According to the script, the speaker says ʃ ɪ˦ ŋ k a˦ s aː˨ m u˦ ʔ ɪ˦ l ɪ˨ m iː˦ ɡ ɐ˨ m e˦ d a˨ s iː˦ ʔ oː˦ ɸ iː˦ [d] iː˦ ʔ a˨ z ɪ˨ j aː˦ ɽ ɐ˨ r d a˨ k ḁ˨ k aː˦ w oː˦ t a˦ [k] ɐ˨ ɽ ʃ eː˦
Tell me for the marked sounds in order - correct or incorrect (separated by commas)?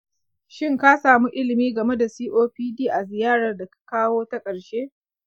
correct, incorrect